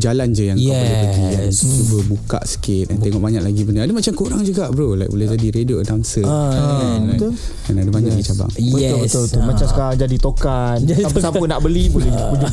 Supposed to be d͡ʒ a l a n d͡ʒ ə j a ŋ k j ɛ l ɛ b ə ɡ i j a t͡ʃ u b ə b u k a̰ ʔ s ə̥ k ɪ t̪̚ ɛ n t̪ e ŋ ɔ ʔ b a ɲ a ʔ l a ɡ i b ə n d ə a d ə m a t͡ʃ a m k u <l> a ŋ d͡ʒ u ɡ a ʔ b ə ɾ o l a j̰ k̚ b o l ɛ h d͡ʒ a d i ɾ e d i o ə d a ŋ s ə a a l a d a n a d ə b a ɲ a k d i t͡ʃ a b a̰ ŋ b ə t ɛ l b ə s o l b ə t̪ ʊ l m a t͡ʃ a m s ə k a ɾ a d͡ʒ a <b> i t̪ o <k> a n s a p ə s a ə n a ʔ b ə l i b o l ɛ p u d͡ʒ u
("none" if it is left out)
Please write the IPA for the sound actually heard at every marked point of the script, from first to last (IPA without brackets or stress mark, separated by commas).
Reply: ɾ, d, k